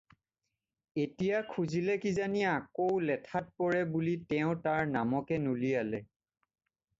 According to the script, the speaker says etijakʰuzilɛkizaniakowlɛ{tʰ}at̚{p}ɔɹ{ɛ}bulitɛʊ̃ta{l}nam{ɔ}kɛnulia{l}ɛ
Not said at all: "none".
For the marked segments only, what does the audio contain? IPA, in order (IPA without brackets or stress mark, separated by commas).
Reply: tʰ, p, ɛ, ɹ, ɔ, l